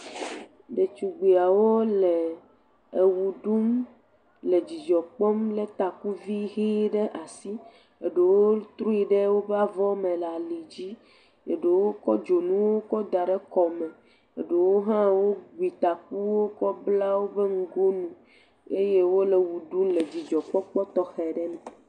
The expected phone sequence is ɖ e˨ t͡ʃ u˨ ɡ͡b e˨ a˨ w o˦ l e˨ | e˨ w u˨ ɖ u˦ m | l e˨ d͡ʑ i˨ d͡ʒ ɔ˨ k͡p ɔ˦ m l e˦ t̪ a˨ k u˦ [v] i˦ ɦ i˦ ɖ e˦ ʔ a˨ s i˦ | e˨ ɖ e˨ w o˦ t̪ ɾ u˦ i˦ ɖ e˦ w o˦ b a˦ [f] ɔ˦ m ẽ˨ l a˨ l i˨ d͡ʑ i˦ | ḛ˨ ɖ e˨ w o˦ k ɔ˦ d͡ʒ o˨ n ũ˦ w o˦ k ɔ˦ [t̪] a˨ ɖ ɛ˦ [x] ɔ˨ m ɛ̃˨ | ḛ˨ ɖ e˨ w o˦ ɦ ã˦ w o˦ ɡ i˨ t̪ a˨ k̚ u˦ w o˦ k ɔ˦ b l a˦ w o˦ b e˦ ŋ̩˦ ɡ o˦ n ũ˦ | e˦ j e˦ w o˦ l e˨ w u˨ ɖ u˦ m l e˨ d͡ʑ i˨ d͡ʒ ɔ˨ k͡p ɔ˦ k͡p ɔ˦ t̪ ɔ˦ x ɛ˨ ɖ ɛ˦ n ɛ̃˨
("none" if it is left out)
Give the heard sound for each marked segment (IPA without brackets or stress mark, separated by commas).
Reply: v, v, d̪, k